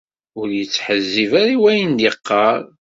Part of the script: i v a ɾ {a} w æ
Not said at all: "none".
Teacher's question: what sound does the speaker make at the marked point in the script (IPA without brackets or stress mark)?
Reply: i